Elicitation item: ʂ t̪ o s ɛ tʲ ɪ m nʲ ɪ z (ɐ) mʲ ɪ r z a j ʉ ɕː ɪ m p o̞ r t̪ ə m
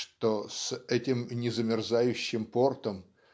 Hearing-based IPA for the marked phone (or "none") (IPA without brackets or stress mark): ə